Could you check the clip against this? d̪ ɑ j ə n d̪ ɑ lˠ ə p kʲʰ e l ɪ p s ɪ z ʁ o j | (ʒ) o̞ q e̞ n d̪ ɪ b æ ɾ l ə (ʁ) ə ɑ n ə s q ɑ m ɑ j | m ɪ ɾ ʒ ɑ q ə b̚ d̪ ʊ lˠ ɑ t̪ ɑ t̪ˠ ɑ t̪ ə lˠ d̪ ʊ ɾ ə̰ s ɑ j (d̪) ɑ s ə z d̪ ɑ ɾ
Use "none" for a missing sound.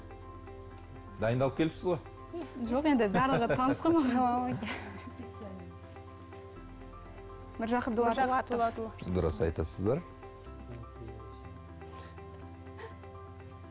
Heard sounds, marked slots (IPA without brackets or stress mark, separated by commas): ʒ, ʁ, t̪